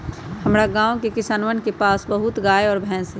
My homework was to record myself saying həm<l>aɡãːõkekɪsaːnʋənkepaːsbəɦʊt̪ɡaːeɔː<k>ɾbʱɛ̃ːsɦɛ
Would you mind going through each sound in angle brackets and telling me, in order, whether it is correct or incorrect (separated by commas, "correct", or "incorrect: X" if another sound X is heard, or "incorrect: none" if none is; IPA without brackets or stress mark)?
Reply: incorrect: ɾ, incorrect: none